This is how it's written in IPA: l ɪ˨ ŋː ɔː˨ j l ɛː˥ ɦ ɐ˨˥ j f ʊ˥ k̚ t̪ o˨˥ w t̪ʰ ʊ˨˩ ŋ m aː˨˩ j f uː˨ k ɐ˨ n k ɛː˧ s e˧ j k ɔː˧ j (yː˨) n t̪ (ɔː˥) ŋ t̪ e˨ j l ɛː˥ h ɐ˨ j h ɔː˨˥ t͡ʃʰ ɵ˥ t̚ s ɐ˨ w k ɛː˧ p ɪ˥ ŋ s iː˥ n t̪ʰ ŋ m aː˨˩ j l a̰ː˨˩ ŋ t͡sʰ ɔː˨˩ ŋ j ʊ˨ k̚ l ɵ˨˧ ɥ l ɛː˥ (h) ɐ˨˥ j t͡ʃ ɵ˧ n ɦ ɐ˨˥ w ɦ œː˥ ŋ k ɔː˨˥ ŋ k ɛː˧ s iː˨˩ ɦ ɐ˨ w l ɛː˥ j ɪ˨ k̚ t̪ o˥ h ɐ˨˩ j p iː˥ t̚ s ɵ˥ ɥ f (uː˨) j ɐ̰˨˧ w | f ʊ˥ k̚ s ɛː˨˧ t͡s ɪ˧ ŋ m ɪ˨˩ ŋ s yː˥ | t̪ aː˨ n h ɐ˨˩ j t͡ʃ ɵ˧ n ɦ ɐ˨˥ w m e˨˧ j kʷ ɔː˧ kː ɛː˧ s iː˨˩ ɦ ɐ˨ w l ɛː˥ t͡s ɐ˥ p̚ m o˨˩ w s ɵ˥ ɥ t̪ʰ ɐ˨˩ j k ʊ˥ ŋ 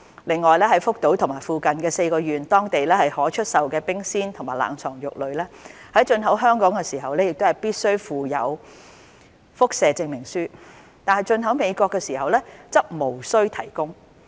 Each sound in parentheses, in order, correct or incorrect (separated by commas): correct, correct, correct, correct